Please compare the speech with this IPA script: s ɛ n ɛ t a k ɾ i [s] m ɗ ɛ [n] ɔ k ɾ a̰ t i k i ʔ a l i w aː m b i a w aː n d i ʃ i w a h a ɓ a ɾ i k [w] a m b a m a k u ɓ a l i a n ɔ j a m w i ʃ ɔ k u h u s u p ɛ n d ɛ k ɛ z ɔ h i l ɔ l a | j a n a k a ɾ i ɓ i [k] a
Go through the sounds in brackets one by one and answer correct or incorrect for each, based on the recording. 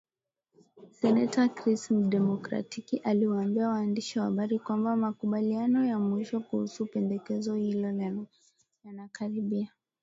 correct, incorrect, correct, incorrect

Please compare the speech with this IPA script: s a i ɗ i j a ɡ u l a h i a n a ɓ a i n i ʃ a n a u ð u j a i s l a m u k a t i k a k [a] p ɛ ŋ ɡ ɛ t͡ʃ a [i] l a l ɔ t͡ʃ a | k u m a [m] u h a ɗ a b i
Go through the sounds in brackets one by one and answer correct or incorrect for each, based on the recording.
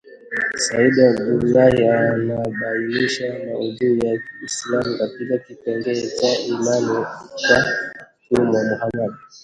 incorrect, correct, correct

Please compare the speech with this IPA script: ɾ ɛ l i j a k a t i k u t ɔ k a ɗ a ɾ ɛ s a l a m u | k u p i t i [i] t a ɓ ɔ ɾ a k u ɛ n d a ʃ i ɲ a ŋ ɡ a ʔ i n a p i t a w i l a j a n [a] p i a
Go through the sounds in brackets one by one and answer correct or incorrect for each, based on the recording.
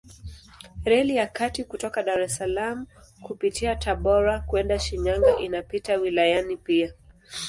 incorrect, incorrect

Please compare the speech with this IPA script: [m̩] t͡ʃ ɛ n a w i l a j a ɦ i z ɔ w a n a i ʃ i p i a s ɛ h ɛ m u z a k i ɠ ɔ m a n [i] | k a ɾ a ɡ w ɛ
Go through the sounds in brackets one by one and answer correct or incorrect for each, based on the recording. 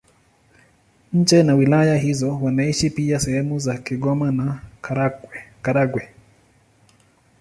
incorrect, incorrect

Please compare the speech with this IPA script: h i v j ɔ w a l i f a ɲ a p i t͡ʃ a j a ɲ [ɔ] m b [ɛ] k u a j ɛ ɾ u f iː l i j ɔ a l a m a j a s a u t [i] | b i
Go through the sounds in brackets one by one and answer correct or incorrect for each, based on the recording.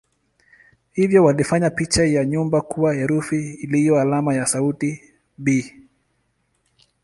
incorrect, incorrect, correct

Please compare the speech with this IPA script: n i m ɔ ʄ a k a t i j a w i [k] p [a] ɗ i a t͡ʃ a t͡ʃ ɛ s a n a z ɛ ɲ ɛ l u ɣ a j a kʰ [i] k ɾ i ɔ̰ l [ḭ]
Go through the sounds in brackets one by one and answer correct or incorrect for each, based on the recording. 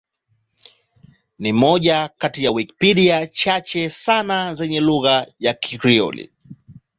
correct, incorrect, correct, correct

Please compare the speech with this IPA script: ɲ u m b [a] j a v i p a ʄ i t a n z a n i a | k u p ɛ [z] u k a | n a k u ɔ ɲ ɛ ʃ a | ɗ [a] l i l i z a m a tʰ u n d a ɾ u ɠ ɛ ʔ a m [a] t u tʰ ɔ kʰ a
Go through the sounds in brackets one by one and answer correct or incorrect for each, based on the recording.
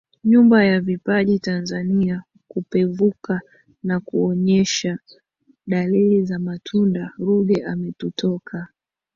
correct, incorrect, correct, incorrect

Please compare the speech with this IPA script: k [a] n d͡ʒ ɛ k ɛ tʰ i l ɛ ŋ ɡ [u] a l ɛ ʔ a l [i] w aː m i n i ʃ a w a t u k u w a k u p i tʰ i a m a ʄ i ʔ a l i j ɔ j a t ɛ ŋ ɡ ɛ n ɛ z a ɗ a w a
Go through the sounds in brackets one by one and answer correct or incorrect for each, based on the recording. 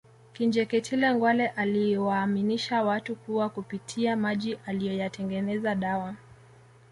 incorrect, incorrect, correct

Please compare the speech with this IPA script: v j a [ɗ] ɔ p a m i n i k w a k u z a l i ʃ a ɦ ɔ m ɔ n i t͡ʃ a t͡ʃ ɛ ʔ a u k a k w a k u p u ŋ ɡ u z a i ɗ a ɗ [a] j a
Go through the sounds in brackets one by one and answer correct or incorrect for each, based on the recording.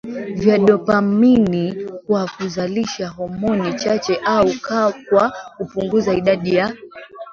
correct, incorrect

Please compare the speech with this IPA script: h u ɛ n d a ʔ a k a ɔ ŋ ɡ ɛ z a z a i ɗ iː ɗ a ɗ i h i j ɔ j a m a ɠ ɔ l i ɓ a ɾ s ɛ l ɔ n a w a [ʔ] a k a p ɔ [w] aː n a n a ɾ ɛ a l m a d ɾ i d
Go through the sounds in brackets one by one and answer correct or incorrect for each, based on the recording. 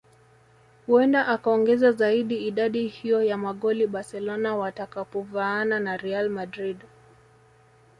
incorrect, incorrect

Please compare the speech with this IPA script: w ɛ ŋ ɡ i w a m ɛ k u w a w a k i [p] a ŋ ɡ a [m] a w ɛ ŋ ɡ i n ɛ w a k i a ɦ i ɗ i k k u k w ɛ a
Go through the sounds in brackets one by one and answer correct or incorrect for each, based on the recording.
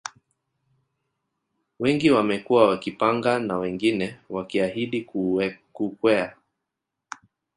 correct, incorrect

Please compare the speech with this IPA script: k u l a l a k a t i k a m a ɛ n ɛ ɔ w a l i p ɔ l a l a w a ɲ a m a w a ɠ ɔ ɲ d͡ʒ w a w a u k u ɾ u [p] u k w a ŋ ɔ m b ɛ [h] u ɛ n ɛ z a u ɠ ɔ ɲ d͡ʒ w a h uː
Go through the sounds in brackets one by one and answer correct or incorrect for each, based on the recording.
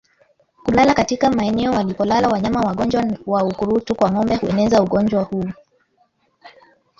incorrect, correct

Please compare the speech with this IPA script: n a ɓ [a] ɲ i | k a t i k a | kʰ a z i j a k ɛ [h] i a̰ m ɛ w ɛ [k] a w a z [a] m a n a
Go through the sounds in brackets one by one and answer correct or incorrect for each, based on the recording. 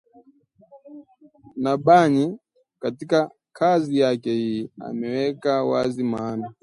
correct, correct, correct, incorrect

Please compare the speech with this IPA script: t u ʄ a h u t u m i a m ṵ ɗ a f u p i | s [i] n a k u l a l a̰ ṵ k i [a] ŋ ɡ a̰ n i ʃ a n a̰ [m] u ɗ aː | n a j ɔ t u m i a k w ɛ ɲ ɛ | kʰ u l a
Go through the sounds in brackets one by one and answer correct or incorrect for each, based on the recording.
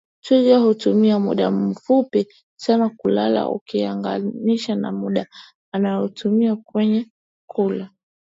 incorrect, correct, correct

